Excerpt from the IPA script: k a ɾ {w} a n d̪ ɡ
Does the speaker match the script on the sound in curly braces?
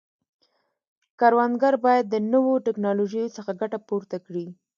yes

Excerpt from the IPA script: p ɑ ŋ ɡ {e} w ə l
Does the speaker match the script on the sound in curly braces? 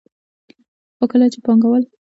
no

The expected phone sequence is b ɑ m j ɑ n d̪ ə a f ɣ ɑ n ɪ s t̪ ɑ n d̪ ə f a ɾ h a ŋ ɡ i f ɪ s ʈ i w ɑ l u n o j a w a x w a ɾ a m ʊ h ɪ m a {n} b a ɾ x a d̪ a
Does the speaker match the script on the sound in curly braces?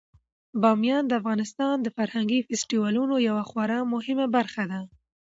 no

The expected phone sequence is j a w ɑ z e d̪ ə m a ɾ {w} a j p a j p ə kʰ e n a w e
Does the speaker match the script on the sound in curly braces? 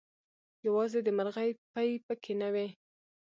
no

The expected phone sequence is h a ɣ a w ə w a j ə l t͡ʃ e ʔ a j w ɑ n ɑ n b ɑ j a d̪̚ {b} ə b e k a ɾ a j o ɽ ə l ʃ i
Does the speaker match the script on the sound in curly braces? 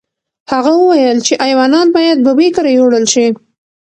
yes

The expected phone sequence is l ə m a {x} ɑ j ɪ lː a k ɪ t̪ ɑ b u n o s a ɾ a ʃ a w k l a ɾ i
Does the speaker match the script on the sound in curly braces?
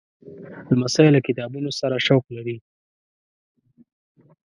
no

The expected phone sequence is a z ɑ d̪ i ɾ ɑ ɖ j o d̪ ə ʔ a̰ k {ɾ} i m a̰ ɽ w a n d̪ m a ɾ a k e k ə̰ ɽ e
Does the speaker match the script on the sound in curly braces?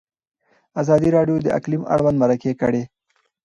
no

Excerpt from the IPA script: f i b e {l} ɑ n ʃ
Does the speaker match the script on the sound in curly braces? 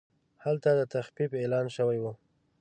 yes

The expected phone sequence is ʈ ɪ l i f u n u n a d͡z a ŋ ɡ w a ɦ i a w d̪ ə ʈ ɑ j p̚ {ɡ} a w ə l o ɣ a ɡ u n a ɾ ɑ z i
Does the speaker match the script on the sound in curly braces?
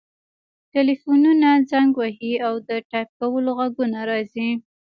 no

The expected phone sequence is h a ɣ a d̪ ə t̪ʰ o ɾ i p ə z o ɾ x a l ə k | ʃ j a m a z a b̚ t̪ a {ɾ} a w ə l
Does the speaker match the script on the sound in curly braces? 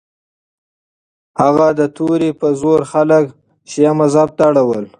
no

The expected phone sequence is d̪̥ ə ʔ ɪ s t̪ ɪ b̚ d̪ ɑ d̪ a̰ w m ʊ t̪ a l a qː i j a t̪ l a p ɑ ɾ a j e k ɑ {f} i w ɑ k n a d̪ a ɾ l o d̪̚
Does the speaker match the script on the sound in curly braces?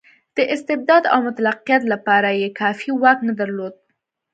yes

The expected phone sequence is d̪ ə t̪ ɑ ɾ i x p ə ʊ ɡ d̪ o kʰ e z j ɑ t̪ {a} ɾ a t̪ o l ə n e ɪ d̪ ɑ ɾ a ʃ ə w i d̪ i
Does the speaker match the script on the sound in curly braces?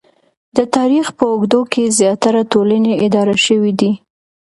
yes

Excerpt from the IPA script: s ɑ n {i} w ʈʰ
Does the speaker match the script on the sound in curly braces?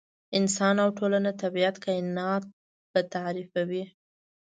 no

